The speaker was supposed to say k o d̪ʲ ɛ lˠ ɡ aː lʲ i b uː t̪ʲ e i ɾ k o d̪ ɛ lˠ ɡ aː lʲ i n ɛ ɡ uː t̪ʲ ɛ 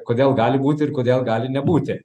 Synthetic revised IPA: k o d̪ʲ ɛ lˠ ɡ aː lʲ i b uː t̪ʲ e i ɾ k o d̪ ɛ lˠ ɡ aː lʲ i n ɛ b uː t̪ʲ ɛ